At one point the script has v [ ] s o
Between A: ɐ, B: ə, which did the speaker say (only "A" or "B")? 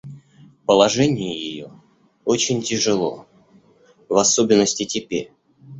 A